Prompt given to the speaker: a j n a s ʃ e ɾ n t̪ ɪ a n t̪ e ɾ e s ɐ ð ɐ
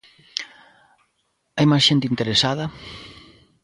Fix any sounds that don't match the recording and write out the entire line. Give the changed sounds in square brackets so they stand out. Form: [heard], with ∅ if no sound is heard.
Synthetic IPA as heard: a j [m] a s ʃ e [∅] n t̪ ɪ [i] n t̪ e ɾ e s [a] ð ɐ